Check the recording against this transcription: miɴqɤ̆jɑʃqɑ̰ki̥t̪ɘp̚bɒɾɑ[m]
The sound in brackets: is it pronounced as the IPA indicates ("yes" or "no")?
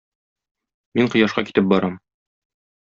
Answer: yes